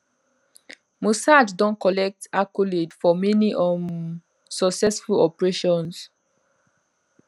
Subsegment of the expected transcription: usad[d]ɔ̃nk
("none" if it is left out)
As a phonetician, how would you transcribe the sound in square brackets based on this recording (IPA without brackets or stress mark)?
d